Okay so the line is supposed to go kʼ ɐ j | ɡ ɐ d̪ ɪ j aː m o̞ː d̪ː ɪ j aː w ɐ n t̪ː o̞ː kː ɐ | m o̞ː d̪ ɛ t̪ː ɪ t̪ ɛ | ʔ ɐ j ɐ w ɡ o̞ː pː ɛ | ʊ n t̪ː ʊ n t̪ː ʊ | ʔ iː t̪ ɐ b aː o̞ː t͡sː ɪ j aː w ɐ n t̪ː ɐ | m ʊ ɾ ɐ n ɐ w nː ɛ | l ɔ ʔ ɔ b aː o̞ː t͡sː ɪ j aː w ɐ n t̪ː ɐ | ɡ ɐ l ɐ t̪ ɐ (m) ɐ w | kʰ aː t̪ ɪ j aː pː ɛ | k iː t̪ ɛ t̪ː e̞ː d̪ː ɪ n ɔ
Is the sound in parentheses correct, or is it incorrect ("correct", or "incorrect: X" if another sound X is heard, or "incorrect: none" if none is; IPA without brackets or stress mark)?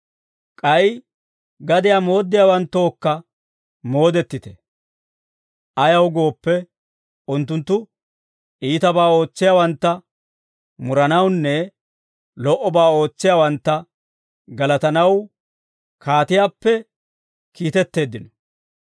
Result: incorrect: n